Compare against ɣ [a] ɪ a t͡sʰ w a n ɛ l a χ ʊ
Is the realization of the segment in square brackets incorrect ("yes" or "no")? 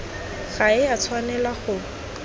no